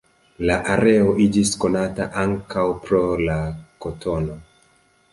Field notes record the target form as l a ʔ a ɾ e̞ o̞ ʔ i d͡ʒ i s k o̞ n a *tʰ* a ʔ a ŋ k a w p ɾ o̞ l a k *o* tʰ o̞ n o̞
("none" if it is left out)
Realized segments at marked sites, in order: t, o

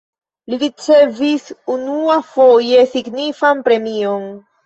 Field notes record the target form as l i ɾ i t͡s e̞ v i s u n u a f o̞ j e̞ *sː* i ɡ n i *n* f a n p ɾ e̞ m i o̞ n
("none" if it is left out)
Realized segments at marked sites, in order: s, none

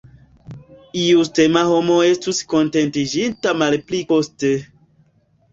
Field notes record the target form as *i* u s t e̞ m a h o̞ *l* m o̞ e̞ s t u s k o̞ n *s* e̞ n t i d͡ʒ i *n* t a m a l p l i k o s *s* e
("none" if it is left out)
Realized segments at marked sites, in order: i, none, t, n, t

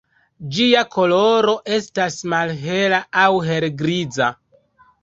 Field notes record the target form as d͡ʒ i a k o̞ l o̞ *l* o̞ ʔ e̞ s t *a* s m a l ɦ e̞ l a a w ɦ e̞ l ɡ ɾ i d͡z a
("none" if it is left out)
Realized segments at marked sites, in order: ɾ, a

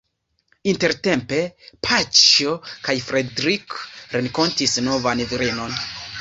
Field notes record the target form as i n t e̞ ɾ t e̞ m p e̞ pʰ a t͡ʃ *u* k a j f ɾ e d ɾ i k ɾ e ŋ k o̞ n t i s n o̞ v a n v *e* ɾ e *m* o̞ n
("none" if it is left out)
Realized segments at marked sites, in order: o, i, n

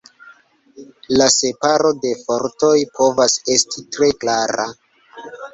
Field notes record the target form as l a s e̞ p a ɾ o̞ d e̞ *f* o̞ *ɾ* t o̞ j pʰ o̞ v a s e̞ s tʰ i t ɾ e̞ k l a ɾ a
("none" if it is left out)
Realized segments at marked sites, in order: f, ɾ

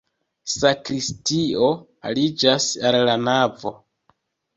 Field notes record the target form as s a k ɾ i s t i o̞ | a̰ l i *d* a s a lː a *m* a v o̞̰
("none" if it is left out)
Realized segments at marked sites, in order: d͡ʒ, n

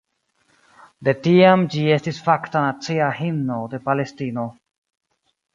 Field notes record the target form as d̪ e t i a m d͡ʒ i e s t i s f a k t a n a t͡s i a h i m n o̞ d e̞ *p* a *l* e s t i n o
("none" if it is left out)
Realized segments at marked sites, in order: p, l

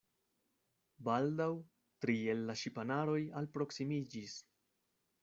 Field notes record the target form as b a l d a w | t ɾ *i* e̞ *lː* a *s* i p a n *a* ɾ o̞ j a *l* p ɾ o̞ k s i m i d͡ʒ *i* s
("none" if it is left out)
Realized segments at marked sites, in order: i, lː, ʃ, a, l, i

